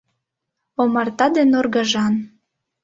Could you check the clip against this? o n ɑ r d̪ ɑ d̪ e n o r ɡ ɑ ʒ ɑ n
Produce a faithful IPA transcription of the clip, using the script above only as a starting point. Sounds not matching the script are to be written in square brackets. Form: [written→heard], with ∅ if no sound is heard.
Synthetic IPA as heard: o [n→m] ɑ r [d̪→t̪] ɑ d̪ e n o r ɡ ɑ ʒ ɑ n